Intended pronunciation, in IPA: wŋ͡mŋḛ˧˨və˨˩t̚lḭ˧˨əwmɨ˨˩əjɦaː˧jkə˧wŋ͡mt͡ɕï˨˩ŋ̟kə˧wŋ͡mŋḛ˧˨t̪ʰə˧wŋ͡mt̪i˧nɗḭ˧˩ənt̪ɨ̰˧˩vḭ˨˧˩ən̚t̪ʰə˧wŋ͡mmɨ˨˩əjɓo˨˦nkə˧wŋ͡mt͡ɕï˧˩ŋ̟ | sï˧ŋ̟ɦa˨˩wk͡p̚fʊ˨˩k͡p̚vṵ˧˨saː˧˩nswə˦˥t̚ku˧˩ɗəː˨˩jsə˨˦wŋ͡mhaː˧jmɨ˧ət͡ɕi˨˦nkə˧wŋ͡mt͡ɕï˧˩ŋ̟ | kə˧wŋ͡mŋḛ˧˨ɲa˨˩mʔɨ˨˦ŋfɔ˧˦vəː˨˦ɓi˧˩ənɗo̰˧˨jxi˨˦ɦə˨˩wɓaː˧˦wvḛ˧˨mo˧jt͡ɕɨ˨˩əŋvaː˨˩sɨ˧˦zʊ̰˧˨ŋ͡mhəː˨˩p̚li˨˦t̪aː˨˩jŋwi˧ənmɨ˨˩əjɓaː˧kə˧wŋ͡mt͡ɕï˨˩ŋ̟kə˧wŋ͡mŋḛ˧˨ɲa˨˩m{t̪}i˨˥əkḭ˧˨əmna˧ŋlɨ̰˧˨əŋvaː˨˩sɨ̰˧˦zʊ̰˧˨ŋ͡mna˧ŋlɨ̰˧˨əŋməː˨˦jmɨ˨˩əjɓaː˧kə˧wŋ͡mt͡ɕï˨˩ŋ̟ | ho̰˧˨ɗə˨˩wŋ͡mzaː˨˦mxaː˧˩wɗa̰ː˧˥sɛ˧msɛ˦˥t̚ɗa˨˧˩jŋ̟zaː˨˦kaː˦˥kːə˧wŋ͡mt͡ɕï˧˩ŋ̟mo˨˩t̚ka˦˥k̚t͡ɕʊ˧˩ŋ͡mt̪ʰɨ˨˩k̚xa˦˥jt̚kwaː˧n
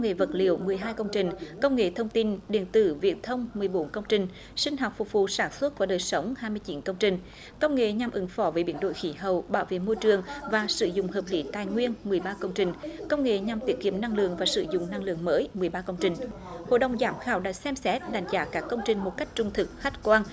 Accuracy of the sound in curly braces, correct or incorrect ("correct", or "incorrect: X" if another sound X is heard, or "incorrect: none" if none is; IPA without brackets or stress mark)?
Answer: correct